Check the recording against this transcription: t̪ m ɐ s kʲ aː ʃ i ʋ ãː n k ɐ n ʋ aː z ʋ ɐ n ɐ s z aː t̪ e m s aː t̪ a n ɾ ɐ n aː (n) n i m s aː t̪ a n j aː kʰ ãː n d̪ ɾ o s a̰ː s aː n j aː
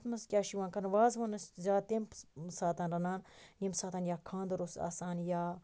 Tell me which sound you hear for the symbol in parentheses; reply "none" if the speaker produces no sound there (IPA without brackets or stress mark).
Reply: n